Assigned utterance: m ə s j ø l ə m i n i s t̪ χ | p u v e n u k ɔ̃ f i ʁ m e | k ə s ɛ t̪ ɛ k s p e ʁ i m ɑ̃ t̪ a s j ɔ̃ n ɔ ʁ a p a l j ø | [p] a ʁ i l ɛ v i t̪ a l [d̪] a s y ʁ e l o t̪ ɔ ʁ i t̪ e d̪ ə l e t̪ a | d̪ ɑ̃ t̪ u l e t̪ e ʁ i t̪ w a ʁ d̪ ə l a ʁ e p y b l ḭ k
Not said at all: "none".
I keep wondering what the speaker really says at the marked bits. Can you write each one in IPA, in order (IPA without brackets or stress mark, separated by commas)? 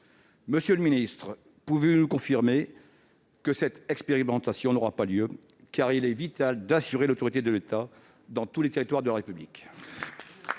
k, d̪